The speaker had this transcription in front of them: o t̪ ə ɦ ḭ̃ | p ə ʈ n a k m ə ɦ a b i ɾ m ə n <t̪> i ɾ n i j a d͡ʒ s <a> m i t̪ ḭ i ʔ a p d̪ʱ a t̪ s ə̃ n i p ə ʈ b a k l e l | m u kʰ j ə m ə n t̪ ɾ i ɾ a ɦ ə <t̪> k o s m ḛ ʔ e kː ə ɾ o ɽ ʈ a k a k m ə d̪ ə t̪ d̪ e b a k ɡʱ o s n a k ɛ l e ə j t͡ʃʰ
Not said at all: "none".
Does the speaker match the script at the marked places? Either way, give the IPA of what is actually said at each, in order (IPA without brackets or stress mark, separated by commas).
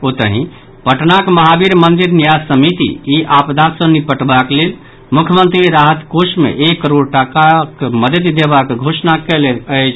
d̪, ə, t̪